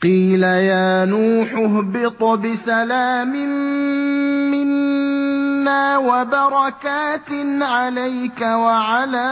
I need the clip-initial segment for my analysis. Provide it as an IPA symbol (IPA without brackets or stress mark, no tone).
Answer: q